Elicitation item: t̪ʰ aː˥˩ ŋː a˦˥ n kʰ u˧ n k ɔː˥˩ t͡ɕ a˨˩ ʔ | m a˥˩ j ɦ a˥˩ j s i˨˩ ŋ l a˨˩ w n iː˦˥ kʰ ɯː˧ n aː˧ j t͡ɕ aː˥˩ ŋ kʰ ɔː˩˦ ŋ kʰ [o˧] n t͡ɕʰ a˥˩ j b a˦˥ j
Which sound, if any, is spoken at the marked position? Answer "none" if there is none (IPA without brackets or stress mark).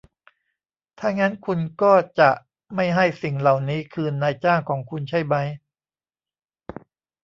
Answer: u˧